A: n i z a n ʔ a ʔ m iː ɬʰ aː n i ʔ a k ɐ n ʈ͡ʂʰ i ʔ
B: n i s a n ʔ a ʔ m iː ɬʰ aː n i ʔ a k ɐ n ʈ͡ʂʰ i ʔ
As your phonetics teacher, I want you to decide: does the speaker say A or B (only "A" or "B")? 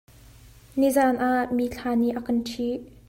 A